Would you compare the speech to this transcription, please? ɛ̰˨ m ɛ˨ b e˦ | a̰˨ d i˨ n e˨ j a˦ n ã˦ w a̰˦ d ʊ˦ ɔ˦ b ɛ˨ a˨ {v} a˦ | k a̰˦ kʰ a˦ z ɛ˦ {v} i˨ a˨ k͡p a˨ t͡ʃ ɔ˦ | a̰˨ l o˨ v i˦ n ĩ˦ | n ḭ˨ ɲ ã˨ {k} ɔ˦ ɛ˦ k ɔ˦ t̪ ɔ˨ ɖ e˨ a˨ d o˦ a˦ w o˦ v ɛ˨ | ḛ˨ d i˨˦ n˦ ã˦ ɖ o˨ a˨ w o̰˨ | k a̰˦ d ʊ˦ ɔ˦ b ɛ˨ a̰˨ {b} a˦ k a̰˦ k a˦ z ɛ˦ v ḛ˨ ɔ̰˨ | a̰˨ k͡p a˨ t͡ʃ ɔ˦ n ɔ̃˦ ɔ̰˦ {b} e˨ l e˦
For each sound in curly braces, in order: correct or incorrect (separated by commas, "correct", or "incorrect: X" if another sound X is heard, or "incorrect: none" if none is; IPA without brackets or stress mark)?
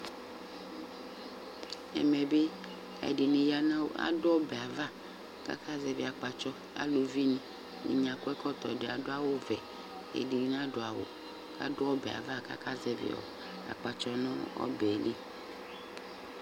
correct, correct, correct, incorrect: v, correct